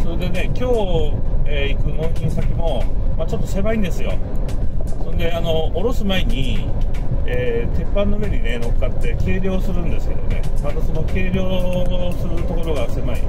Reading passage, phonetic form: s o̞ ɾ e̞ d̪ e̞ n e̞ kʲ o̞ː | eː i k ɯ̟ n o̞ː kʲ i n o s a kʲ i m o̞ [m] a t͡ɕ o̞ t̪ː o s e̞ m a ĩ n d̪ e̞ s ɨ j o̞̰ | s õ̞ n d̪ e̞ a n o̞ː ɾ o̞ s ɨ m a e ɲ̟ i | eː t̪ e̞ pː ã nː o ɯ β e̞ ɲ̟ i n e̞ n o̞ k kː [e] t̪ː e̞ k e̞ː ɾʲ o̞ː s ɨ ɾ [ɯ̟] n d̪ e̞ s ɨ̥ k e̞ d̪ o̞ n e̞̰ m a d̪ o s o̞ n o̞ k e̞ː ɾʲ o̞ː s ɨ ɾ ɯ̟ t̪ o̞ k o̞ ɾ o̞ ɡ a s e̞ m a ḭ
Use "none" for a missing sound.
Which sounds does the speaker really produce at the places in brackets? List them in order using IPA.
m, a, ɯ̟̃

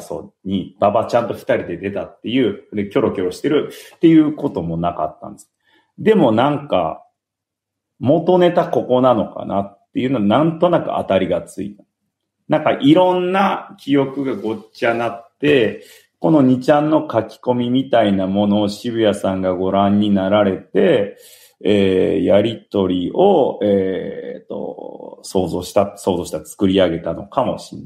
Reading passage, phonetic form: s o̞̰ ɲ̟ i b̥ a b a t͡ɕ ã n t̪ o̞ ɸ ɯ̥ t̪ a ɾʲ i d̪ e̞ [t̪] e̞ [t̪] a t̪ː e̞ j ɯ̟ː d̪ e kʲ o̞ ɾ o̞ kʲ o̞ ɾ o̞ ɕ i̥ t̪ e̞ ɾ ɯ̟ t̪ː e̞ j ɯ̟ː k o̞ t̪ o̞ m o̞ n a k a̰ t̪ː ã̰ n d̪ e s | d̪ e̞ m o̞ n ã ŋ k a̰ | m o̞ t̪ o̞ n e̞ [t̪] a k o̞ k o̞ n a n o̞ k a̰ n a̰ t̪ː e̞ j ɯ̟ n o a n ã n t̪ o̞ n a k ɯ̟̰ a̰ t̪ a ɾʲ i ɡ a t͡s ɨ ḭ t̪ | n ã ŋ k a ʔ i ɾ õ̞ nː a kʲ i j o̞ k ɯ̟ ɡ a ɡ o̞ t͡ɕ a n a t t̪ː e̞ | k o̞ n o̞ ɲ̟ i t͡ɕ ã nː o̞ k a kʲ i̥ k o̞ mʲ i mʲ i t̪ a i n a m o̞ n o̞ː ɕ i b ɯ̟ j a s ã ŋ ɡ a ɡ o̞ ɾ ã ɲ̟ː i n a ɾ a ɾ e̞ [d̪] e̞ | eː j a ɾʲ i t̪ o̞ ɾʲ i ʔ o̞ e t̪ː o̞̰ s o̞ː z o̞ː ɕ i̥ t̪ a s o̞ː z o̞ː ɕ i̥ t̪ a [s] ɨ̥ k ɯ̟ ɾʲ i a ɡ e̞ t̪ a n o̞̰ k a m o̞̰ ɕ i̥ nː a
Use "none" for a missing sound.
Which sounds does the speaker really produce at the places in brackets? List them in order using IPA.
d̪, t̪, t̪, t̪, t͡s

